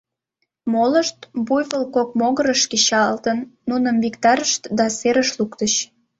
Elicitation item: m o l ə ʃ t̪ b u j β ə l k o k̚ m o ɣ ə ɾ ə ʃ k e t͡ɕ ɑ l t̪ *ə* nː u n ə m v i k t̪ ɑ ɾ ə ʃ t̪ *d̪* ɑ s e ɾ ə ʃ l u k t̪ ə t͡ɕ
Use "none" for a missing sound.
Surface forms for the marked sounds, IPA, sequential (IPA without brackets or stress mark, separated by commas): ə, d̪